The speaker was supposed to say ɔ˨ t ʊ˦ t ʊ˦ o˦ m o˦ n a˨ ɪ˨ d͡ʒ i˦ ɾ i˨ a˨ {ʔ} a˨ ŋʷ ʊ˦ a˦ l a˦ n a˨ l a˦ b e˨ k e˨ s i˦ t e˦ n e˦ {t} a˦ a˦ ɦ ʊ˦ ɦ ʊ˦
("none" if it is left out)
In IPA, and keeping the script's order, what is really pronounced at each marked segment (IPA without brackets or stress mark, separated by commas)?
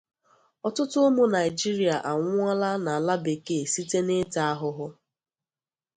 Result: ʔ, t